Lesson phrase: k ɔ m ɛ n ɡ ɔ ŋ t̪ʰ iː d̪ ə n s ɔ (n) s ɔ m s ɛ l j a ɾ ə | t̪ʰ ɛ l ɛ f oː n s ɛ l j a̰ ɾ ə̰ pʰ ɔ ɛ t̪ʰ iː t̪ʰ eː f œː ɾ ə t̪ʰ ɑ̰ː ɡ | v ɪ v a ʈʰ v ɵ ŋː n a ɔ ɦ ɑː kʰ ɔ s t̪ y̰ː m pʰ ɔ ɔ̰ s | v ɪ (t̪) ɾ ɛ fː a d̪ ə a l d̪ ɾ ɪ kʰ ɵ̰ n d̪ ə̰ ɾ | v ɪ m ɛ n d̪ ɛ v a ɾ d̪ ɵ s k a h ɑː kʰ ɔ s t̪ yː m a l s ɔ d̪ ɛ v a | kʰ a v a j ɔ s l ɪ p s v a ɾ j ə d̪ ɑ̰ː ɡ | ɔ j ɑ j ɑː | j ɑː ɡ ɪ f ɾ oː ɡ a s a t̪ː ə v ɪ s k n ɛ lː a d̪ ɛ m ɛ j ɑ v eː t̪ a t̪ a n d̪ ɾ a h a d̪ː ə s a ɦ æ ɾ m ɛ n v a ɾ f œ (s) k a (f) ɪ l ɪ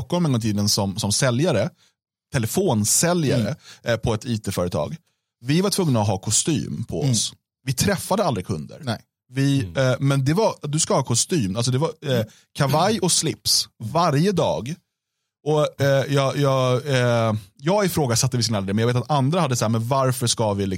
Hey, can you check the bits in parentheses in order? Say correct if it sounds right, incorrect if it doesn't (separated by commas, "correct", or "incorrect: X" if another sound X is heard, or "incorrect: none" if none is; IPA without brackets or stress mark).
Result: incorrect: m, incorrect: t̪ʰ, incorrect: ʂ, incorrect: v